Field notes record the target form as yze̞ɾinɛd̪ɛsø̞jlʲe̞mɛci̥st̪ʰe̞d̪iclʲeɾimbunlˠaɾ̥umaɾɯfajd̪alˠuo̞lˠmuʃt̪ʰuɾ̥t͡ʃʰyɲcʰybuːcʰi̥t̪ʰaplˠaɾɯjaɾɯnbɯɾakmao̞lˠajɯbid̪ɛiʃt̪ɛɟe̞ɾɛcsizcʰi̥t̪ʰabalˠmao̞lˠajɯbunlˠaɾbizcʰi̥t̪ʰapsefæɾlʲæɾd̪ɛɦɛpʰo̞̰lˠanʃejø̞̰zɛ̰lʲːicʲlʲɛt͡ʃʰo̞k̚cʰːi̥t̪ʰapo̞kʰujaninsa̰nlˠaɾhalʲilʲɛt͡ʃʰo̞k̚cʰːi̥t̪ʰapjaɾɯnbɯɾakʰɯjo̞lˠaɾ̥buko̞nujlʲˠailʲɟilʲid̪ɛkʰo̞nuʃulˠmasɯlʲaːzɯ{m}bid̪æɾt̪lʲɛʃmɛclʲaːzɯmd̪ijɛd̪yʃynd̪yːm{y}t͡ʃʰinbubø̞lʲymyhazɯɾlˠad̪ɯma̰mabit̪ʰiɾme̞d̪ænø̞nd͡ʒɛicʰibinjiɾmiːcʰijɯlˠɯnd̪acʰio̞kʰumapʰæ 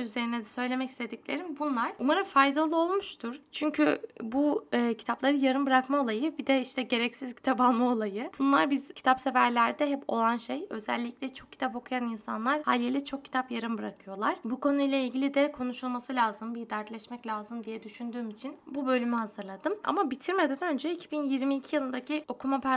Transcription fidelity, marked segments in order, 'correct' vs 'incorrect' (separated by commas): correct, incorrect